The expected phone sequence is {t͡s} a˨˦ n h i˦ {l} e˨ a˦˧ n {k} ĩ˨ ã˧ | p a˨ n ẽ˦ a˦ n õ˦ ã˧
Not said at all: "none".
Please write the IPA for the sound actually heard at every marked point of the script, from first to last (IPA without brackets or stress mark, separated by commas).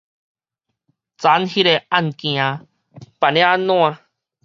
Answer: t͡s, ɾ, k